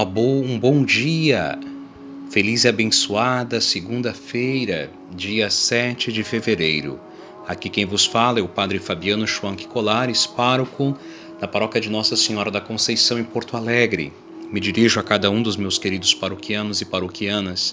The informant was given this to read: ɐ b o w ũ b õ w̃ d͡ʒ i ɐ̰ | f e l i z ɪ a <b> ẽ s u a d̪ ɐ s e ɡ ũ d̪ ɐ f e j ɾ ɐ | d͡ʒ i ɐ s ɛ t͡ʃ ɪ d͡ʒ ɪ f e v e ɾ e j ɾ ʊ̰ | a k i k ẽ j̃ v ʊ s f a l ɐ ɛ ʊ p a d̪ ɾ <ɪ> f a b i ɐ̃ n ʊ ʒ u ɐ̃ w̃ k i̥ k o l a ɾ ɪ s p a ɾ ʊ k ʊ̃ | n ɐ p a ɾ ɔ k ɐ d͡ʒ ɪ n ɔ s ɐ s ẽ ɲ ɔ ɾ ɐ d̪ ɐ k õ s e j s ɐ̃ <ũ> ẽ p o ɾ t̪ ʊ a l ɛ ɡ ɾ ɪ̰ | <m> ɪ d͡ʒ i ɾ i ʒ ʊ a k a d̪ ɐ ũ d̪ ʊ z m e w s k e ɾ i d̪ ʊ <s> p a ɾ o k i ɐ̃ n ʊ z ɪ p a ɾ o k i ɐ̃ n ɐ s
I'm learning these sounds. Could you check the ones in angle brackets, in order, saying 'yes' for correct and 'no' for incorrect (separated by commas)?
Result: yes, yes, no, yes, yes